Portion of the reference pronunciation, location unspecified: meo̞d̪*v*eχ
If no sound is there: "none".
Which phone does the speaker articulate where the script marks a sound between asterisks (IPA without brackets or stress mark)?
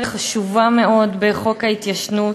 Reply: b